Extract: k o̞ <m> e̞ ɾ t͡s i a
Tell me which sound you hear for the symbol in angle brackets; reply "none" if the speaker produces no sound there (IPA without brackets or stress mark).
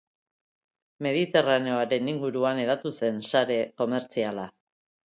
m